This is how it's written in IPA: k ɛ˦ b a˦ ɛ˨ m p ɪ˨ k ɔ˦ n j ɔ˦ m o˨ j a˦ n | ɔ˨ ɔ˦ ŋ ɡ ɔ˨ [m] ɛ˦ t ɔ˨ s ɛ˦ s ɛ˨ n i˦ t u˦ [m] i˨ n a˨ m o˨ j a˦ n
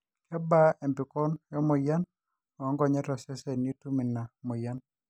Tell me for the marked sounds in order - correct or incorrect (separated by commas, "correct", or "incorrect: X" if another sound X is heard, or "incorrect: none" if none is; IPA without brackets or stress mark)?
incorrect: ɲ, correct